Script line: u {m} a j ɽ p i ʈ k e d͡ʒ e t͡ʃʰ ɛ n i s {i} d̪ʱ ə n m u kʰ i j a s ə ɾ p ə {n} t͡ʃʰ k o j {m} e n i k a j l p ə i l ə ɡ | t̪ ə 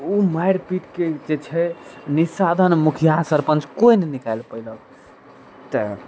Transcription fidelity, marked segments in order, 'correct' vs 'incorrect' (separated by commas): correct, incorrect, correct, incorrect